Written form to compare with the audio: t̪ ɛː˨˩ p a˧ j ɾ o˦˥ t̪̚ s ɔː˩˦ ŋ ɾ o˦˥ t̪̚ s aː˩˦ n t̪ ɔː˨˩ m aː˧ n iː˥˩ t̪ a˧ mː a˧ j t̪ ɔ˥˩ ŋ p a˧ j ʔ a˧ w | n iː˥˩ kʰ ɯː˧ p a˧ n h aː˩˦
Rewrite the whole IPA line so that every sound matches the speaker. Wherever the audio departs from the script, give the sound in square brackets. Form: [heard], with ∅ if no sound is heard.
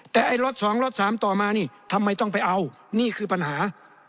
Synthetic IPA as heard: t̪ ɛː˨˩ [ʔ] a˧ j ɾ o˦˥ t̪̚ s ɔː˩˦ ŋ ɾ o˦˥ t̪̚ s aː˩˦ [m] t̪ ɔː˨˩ m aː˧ n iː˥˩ [t̪ʰ] a˧ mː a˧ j t̪ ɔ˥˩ ŋ p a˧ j ʔ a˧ w | n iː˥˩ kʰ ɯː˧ p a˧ n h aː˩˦